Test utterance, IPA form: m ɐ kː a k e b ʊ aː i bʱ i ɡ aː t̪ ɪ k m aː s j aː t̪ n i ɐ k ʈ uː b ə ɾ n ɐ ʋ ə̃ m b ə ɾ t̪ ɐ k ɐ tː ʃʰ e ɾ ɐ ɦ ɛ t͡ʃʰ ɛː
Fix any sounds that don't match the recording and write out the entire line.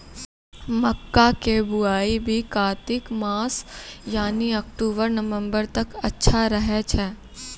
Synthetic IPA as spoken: m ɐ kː a k e b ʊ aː i bʱ i k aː t̪ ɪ k m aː s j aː n i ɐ k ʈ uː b ə ɾ n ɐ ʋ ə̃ m b ə ɾ t̪ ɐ k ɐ tː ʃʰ a ɾ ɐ ɦ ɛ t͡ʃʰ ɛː